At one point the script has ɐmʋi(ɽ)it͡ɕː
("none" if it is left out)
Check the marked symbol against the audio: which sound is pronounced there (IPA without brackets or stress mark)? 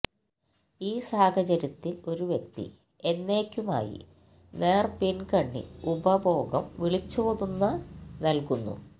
ɭ